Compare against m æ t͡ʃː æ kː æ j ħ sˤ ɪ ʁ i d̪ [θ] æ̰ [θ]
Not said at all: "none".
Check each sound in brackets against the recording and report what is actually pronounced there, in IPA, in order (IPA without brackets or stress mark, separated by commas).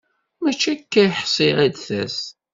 θ, s